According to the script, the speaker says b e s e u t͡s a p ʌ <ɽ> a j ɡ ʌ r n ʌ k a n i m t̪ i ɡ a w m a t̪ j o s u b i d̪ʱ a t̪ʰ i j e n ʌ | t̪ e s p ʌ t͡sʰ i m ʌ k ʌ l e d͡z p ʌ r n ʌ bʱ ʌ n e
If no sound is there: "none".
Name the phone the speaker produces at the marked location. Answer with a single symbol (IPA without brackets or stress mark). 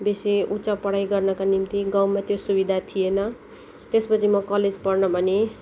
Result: ɽ